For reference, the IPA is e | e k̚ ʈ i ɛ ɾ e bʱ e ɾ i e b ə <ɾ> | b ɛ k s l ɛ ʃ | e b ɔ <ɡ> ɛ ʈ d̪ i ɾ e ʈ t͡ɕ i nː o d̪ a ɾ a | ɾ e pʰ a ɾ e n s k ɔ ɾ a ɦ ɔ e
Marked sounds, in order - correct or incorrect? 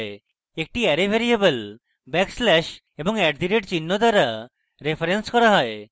incorrect, incorrect

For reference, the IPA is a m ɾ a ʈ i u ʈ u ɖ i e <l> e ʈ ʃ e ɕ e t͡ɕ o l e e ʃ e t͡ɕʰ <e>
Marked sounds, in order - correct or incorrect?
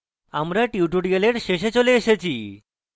correct, incorrect

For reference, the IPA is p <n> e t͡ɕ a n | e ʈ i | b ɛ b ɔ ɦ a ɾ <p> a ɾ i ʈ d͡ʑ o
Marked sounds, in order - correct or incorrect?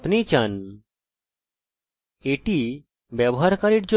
correct, incorrect

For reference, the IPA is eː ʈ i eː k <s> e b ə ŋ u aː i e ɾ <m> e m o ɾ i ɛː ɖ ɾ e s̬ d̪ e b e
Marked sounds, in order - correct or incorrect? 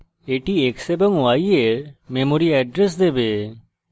correct, correct

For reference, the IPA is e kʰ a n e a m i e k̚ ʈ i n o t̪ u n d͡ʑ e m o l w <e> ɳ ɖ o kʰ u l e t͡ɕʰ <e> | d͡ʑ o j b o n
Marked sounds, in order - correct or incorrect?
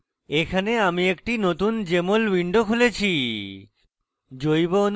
incorrect, incorrect

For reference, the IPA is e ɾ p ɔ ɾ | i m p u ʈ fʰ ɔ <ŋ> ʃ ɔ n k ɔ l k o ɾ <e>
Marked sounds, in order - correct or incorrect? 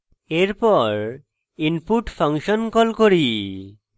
correct, incorrect

